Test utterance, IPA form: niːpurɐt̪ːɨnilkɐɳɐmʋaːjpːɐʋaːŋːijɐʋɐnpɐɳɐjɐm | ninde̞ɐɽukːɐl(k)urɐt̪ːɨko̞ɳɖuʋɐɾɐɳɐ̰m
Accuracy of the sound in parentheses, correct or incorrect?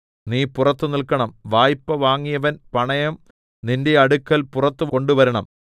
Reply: incorrect: p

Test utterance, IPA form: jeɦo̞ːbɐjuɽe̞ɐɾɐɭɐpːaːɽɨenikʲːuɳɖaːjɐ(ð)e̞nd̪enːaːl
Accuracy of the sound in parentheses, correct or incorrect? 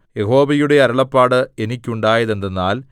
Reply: correct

